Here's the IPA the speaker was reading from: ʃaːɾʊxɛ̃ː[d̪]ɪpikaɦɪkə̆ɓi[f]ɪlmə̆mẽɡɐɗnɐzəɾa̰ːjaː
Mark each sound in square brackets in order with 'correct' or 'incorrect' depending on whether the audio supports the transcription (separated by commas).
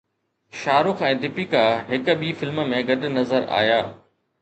correct, correct